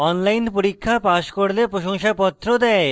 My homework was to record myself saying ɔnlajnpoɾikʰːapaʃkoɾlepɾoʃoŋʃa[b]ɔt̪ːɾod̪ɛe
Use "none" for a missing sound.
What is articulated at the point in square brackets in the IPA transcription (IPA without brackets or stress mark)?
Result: p